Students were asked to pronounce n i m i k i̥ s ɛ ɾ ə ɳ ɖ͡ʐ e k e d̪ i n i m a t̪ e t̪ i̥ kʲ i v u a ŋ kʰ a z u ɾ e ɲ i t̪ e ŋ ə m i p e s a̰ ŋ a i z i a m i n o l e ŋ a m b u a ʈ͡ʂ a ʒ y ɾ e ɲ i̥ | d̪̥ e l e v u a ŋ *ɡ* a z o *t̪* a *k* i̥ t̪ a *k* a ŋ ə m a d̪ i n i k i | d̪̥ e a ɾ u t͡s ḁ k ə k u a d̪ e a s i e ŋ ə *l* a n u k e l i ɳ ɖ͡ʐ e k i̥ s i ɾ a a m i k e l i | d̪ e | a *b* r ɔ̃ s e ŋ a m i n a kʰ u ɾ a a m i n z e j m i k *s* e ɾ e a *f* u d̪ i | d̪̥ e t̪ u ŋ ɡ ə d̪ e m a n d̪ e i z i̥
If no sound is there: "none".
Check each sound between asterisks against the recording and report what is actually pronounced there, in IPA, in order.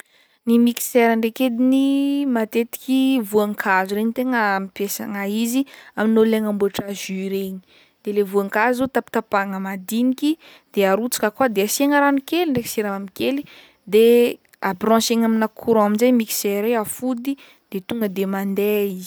k, t̪, p, p, ɾ, b, s, f

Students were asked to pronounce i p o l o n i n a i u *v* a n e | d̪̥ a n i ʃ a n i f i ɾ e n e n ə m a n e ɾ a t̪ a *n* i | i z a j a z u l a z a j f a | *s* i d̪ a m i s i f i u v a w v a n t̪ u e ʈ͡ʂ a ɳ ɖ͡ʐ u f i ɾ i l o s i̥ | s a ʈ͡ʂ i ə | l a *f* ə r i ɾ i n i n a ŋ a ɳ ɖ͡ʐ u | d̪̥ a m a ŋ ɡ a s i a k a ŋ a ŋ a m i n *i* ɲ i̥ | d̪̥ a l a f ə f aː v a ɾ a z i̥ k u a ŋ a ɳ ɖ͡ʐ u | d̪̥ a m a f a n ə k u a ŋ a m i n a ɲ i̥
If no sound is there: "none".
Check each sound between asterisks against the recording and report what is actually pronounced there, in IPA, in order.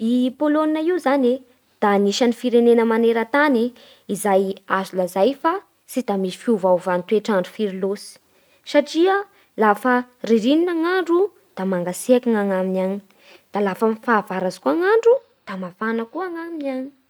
z, n, s, f, a

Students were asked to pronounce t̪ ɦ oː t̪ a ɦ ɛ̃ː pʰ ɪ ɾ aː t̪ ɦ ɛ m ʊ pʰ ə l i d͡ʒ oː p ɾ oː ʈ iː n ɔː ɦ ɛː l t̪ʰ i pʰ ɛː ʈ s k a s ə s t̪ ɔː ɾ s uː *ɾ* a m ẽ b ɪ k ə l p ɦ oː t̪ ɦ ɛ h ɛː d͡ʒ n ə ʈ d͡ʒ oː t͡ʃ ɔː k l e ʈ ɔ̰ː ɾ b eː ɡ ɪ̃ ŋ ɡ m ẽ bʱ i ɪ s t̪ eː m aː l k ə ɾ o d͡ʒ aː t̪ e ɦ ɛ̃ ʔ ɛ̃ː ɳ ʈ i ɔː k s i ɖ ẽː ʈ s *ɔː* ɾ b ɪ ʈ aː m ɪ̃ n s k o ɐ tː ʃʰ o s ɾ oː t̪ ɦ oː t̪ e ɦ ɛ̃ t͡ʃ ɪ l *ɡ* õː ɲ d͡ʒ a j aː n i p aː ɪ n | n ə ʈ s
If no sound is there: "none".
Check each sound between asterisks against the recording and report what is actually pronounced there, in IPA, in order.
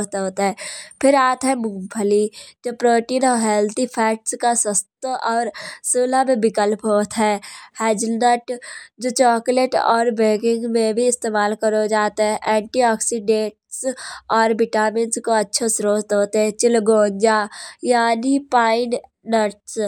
l, ɔː, ɡ

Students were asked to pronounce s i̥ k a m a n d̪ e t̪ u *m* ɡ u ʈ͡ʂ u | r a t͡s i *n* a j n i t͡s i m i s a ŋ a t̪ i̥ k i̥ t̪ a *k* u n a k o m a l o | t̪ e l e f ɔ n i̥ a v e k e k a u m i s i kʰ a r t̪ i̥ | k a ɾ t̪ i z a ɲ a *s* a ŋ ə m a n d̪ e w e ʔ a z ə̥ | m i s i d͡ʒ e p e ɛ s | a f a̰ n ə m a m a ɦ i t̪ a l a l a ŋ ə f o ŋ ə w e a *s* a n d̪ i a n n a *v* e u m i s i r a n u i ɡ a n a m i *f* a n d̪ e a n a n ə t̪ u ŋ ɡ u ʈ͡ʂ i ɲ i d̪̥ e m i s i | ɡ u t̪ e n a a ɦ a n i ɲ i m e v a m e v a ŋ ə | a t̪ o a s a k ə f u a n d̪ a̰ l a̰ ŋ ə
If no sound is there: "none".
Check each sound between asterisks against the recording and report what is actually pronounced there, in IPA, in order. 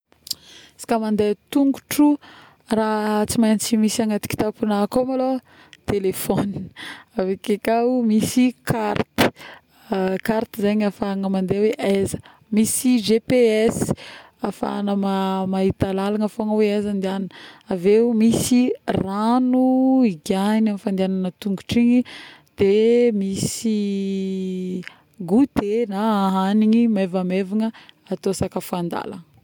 ŋ, m, p, f, z, v, f

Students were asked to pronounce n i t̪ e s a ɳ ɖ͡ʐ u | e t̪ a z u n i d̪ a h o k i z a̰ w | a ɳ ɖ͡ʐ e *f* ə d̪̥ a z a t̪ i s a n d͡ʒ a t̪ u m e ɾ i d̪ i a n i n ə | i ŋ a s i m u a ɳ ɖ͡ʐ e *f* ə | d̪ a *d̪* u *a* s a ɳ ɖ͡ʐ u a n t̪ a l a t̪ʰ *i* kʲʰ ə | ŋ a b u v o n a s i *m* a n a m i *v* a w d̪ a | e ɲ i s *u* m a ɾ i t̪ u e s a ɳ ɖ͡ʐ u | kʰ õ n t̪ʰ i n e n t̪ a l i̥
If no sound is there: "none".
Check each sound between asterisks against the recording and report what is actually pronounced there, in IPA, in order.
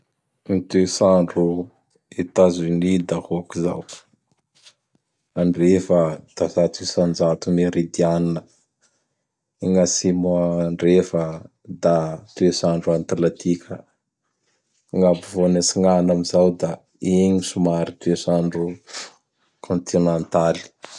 f, f, t̪, e, i, ŋ, z, u

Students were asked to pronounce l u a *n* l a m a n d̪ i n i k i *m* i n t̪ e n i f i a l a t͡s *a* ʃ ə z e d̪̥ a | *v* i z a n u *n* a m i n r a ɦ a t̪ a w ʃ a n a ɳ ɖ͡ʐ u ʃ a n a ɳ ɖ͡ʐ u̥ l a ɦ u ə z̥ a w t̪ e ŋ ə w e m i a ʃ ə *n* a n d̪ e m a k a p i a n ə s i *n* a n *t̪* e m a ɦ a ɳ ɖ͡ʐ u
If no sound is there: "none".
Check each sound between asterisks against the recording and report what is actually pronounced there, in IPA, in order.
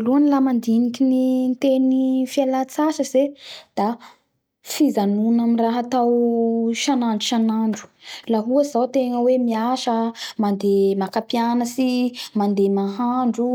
n, n, a, f, n, m, m, d̪

